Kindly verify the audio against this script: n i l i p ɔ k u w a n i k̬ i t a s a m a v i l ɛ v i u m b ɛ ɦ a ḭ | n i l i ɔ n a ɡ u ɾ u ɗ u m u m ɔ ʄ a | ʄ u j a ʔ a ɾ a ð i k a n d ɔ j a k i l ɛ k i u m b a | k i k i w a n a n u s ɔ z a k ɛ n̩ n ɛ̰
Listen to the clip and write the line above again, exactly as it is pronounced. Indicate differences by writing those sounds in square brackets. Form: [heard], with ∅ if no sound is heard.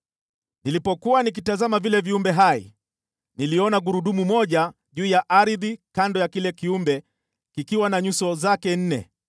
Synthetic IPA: n i l i p ɔ k u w a n i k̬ i t a [z] a m a v i l ɛ v i u m b ɛ ɦ a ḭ | n i l i ɔ n a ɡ u ɾ u ɗ u m u m ɔ ʄ a | ʄ [uː] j a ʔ a ɾ [i] ð i k a n d ɔ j a k i l ɛ k i u m b [ɛ] | k i k i w a n a [ɲ] u s ɔ z a k ɛ n̩ n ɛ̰